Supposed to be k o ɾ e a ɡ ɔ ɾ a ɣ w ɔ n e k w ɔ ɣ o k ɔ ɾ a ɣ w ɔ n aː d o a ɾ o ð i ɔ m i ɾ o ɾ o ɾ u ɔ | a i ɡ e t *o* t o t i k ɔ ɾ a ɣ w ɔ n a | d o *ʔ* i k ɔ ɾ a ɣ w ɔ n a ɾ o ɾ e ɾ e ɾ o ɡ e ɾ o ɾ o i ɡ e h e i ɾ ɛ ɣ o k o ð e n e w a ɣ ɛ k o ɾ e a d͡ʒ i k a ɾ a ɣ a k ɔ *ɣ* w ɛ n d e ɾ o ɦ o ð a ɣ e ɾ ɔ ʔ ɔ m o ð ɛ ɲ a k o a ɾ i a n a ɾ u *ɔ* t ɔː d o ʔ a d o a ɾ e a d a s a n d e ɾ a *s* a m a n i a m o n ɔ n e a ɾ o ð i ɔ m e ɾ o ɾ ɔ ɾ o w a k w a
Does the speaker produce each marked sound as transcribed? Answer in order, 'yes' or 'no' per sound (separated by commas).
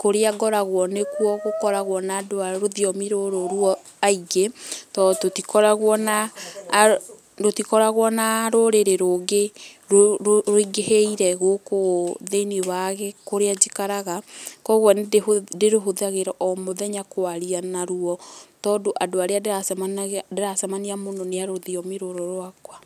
no, no, yes, yes, yes